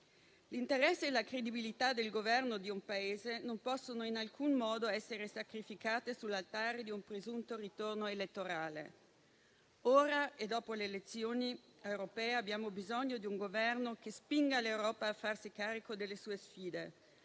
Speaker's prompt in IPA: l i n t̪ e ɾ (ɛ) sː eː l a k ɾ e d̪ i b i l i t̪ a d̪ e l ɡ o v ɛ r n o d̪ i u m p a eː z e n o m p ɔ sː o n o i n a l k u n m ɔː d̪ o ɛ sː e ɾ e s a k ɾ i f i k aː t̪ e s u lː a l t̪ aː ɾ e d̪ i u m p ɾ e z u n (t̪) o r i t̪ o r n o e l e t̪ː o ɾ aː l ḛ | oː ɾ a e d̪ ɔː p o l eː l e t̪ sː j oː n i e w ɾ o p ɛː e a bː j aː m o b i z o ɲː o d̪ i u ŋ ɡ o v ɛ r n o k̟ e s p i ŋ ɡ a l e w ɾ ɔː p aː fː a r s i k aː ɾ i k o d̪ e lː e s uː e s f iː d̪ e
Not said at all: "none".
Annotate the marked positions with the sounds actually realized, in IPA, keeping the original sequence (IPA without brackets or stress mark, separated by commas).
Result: ɛ, t̪